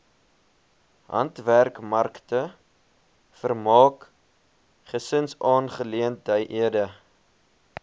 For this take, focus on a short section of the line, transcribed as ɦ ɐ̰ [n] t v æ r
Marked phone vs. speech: correct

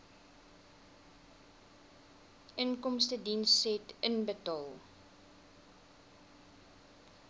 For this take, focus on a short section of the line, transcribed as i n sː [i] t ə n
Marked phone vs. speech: incorrect: ɛ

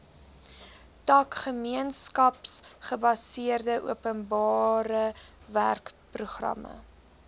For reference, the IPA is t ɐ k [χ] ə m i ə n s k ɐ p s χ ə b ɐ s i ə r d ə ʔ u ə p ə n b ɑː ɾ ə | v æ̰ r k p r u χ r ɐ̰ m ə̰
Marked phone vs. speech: correct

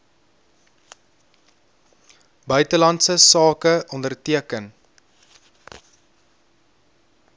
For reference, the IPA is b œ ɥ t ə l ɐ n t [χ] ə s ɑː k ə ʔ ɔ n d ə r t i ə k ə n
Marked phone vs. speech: incorrect: s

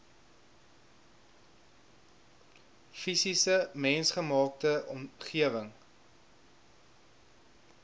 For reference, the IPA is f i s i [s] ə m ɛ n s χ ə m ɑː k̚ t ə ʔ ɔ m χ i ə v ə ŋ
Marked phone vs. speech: correct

